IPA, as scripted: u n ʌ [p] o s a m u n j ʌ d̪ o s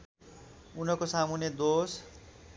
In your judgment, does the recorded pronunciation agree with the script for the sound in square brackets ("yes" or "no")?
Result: no